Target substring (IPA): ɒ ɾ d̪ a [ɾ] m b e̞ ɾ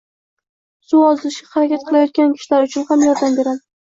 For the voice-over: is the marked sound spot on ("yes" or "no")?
no